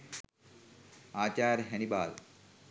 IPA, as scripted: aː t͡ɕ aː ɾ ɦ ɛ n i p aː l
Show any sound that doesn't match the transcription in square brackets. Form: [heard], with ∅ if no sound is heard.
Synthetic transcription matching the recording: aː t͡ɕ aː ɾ ɦ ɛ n i [b] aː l